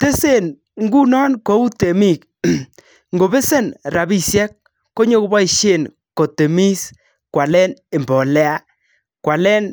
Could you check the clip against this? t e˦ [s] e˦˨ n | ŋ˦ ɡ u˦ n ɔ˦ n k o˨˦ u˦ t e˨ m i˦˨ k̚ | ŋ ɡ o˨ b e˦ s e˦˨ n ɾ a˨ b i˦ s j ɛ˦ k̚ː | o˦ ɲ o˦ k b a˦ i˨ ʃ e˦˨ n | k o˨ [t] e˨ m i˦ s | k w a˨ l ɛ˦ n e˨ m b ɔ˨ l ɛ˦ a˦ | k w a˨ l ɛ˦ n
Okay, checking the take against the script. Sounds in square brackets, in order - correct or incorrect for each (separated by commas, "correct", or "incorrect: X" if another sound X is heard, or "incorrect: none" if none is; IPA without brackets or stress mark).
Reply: correct, correct